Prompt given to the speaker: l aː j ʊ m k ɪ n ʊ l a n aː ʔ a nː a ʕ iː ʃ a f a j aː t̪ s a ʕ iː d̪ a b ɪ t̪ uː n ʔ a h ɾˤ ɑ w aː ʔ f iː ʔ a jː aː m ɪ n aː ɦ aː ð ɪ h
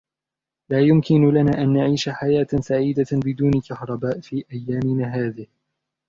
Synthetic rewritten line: l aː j ʊ m k ɪ n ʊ l a n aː ʔ a nː a ʕ iː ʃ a ħ a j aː t̪ s a ʕ iː d̪ a b ɪ d̪ uː n k a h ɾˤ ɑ b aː ʔ f iː ʔ a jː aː m ɪ n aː ɦ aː ð ɪ h